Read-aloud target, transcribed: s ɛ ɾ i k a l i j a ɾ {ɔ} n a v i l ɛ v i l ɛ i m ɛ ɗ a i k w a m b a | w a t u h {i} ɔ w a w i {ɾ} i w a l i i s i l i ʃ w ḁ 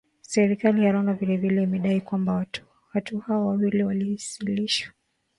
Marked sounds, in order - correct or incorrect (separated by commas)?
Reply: correct, incorrect, incorrect